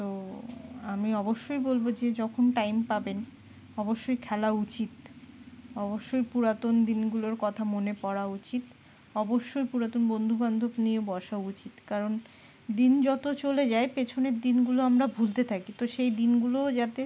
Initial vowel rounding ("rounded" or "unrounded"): rounded